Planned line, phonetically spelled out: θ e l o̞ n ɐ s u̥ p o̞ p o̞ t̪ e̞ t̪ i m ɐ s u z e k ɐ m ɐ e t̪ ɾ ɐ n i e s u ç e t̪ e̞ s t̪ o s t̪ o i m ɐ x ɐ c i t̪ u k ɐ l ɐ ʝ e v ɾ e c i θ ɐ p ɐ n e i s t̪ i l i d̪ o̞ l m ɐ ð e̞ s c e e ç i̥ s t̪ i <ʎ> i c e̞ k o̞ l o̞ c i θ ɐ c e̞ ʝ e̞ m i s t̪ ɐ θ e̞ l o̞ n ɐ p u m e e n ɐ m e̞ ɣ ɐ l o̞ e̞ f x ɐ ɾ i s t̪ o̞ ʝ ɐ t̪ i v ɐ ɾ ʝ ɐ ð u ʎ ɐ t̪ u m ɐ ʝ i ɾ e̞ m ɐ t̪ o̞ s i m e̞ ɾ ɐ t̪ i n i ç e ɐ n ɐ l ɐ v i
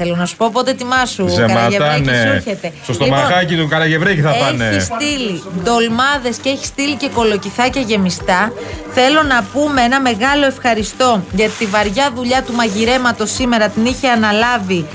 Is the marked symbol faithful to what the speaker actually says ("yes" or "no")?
no